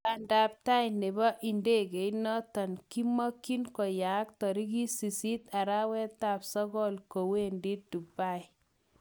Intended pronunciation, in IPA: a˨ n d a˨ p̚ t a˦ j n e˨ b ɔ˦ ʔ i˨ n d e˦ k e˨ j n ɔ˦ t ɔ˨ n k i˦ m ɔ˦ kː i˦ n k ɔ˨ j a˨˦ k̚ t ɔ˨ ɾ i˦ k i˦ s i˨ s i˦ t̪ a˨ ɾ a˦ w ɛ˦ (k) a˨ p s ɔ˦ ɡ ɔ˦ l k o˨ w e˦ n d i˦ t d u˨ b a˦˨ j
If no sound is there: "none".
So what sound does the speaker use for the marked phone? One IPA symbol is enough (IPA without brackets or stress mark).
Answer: t